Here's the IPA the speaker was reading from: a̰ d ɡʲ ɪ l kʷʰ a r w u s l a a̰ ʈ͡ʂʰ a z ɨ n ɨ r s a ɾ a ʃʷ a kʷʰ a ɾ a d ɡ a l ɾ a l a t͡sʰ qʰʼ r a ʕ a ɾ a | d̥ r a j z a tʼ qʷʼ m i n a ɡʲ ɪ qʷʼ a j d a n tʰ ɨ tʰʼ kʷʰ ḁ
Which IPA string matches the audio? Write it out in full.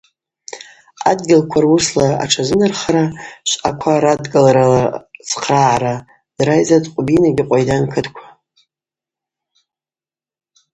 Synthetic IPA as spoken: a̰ d ɡʲ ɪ l kʷʰ a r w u s l a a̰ ʈ͡ʂʰ a z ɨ n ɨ r χ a ɾ a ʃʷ a kʷʰ a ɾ a d ɡ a l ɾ a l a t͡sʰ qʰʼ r a ʕ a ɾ a | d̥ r a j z a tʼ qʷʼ b i n a ɡʲ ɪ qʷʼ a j d a n kʰ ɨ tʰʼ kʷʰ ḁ